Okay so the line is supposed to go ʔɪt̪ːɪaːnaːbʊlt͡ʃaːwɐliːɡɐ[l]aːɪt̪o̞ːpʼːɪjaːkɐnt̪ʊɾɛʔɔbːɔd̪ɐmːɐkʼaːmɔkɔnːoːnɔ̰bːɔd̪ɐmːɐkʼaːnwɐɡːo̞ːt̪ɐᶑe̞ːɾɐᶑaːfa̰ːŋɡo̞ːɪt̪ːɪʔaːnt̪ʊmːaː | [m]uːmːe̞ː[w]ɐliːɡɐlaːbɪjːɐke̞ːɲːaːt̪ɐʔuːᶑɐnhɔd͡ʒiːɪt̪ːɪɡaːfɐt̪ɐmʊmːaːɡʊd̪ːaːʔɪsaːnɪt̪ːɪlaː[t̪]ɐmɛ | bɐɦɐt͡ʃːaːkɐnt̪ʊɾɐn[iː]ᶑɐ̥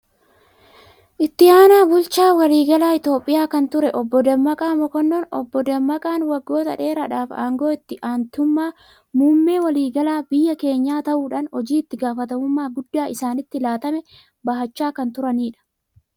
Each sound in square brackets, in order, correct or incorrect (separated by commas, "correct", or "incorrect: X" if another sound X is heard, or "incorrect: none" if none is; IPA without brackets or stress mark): correct, correct, correct, correct, correct